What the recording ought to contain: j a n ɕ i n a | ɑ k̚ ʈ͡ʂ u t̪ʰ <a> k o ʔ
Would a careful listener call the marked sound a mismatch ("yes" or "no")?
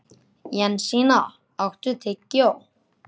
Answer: yes